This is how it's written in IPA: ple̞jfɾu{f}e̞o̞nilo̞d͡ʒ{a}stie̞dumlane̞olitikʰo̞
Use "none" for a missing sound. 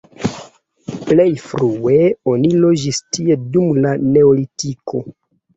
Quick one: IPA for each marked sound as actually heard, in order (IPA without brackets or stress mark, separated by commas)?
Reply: none, i